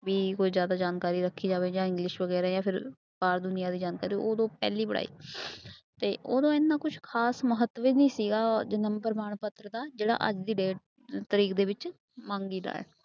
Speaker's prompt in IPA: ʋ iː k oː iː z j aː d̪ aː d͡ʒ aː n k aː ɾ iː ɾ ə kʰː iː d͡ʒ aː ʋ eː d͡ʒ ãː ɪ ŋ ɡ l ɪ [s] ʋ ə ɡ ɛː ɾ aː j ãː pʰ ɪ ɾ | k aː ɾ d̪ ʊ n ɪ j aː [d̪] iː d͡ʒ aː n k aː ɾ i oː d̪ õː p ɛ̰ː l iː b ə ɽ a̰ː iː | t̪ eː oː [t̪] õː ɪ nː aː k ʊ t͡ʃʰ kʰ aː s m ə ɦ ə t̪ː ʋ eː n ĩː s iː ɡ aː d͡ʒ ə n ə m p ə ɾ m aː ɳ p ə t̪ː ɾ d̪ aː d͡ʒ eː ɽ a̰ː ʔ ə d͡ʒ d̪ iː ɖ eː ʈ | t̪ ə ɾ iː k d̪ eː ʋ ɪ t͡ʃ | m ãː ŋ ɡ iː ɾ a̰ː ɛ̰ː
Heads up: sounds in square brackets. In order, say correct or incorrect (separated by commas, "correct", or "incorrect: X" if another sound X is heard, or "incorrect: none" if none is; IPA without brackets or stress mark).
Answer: incorrect: ʃ, correct, incorrect: d̪